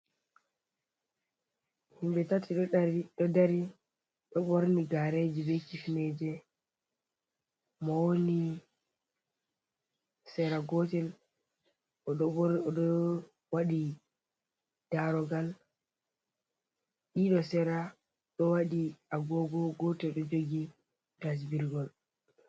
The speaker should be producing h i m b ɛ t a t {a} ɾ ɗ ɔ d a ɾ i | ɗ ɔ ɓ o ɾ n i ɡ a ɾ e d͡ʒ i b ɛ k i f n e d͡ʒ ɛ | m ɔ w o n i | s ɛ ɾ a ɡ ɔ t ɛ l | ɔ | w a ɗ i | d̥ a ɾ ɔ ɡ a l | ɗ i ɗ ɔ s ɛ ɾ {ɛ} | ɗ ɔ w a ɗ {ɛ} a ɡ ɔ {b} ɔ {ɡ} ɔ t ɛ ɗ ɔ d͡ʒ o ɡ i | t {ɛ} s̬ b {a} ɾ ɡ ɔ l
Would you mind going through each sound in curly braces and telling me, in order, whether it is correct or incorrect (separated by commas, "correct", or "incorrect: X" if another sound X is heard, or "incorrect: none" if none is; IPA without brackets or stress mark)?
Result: incorrect: i, incorrect: a, incorrect: i, incorrect: ɡ, correct, incorrect: a, incorrect: i